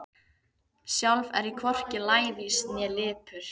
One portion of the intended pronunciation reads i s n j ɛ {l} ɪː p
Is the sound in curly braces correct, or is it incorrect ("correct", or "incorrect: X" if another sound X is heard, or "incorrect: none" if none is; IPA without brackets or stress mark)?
correct